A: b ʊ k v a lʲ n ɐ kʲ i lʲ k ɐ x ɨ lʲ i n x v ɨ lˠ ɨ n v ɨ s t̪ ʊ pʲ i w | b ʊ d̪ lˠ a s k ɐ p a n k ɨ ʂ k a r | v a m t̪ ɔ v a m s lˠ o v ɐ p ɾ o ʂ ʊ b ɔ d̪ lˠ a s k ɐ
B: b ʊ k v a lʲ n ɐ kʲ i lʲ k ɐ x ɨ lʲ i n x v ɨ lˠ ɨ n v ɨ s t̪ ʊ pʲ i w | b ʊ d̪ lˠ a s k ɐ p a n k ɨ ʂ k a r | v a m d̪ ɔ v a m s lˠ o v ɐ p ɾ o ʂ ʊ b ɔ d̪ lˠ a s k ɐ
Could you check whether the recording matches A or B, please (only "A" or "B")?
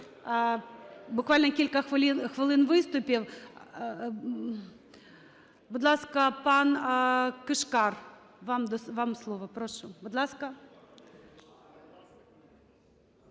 B